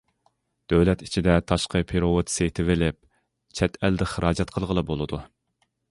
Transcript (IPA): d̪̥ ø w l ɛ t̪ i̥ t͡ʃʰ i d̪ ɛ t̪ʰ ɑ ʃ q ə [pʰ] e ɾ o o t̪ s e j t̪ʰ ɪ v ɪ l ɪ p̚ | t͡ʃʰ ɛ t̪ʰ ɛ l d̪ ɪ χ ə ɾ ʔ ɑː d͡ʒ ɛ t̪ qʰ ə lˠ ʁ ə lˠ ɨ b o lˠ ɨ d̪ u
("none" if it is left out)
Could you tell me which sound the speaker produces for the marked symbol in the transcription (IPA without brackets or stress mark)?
pʰ